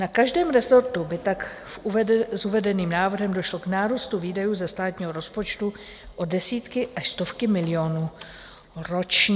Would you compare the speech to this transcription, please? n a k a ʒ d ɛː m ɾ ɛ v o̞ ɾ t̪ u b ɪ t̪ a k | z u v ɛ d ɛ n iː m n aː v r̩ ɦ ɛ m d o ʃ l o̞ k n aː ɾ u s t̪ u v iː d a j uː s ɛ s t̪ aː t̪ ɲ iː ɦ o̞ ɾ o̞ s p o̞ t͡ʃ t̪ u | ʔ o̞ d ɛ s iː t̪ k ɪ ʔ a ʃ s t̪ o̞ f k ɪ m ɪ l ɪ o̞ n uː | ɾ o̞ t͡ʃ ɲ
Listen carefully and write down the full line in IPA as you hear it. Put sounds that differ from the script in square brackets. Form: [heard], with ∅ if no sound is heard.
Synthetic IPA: n a k a ʒ d ɛː m ɾ ɛ [z] o̞ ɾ t̪ u b ɪ t̪ a k | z u v ɛ d ɛ n iː m n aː v r̩ ɦ ɛ m d o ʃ l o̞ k n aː ɾ u s t̪ u v iː d a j uː [z] ɛ s t̪ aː t̪ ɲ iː ɦ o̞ ɾ o̞ s p o̞ t͡ʃ t̪ u | ʔ o̞ d ɛ s iː t̪ k ɪ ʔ a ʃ s t̪ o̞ f k ɪ m ɪ l ɪ o̞ n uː | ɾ o̞ t͡ʃ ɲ